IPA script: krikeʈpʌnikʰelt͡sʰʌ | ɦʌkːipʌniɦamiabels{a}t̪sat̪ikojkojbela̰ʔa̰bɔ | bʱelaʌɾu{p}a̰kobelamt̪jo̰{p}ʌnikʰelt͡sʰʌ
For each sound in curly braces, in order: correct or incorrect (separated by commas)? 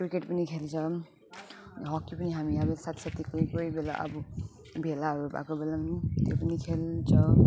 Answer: correct, incorrect, correct